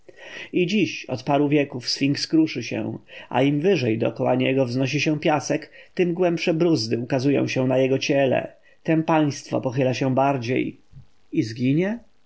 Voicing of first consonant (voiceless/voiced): voiced